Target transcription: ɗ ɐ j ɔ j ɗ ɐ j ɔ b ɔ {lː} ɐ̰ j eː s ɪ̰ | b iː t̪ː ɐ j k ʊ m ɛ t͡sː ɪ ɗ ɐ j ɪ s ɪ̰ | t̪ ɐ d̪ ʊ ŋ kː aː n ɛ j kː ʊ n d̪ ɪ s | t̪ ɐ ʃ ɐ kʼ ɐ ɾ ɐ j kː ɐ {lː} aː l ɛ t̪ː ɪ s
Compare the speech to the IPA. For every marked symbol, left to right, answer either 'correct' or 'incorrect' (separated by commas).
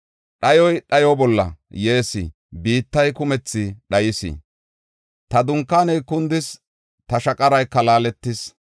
correct, incorrect